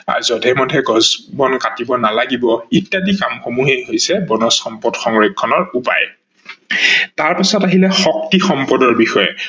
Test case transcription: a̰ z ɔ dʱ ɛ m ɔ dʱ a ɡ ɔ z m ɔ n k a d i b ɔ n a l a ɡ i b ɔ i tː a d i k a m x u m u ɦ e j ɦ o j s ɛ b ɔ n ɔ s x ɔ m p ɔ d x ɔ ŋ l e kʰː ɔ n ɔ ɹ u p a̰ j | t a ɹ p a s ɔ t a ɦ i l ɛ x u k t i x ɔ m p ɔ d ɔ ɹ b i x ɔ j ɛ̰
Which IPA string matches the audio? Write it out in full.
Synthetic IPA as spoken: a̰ z ɔ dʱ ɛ m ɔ dʱ ɛ ɡ ɔ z b ɔ n k a t i b ɔ n a l a ɡ i b ɔ i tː a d i k a m x o m u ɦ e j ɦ o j s ɛ b ɔ n ɔ s x ɔ m p ɔ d x ɔ ŋ ɹ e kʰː ɔ n ɔ ɹ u p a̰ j | t a ɹ p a s ɔ t a ɦ i l ɛ x ɔ k t i x ɔ m p ɔ d ɔ ɹ b i x ɔ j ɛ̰